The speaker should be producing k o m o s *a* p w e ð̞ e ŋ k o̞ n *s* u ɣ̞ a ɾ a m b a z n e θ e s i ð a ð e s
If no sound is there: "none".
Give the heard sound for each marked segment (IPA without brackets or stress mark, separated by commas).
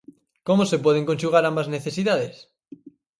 e, ʃ